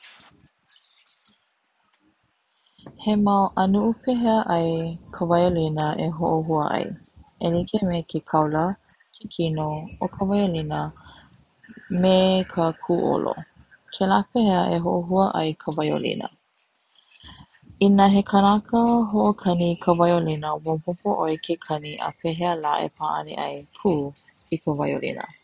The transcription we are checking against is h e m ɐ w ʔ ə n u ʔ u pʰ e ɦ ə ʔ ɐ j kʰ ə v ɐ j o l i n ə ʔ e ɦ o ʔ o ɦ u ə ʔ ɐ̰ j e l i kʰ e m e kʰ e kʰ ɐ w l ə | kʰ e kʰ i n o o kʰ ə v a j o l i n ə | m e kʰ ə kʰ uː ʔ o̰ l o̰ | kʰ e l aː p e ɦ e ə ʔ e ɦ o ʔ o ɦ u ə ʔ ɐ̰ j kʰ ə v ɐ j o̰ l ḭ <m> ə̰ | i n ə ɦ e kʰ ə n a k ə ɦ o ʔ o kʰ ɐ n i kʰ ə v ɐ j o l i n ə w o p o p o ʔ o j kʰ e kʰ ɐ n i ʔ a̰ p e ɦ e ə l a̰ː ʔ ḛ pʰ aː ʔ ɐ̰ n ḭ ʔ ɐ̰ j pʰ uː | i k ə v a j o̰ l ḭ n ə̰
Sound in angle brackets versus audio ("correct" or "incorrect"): incorrect